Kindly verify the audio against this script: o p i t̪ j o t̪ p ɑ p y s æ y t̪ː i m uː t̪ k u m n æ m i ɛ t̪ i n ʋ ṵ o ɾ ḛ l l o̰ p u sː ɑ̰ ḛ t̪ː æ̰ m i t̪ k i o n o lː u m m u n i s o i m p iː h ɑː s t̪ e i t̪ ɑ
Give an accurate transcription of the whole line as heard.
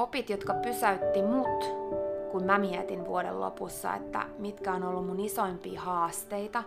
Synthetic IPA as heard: o p i t̪ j o t̪ k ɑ p y s æ y t̪ː i m u t̪ k u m m æ m i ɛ t̪ i n ʋ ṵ o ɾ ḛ l l o̰ p u sː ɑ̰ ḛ t̪ː æ̰ m i t̪ k æ o n o lː u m m u n i s o i m p iː h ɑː s t̪ e i t̪ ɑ